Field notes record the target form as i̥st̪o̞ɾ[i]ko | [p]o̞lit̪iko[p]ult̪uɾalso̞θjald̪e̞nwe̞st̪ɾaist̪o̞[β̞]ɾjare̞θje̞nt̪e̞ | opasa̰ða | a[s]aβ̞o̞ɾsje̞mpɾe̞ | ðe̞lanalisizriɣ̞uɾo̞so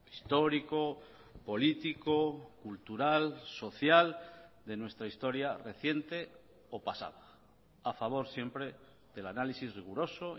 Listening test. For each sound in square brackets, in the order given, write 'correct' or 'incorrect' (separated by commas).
correct, correct, incorrect, incorrect, incorrect